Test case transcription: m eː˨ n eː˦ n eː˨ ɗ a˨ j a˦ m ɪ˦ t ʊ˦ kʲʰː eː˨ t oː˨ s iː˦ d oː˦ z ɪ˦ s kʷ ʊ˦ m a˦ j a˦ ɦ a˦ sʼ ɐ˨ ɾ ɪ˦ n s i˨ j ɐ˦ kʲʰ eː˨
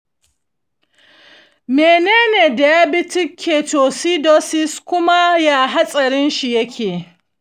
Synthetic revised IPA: m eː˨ n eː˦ n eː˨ d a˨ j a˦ b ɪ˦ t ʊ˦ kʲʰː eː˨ t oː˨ s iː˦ d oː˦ s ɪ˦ s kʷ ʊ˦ m a˦ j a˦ ɦ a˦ sʼ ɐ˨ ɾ ɪ˦ n ʃ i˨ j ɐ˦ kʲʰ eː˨